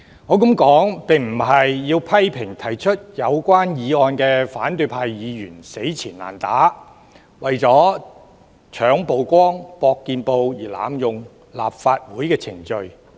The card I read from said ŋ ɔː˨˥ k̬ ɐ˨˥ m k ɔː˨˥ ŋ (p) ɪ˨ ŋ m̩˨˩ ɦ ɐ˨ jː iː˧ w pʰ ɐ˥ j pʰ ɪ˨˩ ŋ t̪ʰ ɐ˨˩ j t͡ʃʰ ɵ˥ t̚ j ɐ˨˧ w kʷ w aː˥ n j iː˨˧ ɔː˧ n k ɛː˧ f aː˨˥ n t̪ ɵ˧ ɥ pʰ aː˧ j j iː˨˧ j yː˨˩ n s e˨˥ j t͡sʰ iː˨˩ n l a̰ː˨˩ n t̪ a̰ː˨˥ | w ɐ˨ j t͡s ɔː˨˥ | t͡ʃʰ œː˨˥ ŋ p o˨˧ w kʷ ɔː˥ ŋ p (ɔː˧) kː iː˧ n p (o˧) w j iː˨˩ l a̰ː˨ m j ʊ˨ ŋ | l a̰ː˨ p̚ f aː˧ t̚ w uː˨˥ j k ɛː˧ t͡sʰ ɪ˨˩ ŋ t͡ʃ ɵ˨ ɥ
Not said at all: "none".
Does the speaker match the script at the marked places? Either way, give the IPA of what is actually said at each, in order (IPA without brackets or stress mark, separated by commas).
p, ɔː˧, o˧